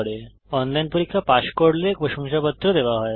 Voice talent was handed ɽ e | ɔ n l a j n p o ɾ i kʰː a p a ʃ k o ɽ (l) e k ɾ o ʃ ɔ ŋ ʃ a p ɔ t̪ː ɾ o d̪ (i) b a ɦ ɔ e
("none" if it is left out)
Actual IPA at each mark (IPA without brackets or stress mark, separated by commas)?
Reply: l, e